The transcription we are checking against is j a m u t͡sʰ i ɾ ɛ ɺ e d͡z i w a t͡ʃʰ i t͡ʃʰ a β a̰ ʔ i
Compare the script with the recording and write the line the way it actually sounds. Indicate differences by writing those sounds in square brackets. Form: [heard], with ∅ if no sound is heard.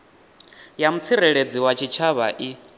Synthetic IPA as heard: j a m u t͡sʰ i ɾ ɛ ɺ e d͡z i w a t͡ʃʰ i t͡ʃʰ a β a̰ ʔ i